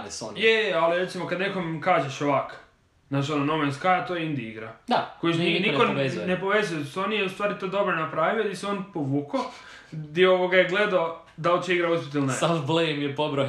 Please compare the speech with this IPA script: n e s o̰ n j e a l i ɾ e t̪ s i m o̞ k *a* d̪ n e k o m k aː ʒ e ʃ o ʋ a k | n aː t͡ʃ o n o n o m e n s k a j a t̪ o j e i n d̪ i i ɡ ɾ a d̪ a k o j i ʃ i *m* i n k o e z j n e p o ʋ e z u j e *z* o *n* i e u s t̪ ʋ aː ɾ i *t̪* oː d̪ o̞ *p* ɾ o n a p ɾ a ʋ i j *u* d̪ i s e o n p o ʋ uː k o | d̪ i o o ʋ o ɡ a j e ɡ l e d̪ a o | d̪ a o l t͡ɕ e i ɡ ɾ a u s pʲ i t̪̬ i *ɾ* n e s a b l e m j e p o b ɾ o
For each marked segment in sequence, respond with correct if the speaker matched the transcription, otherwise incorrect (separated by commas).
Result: correct, incorrect, incorrect, correct, correct, incorrect, incorrect, incorrect